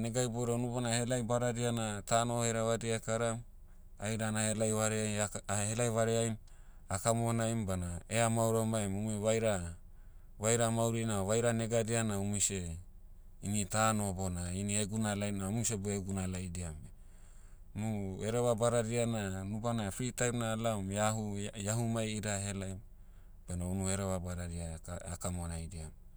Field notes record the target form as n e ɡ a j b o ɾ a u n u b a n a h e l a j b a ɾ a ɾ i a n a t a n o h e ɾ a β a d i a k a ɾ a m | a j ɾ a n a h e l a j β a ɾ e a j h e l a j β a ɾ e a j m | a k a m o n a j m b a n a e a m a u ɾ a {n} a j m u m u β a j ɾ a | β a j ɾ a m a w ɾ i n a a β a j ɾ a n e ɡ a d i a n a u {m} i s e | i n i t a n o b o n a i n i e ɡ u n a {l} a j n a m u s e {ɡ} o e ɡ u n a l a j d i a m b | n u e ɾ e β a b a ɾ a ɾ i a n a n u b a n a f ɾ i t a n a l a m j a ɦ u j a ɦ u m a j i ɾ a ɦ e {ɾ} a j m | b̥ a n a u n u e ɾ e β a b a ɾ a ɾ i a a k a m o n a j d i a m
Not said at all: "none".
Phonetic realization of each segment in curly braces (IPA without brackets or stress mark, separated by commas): m, m, l, b, l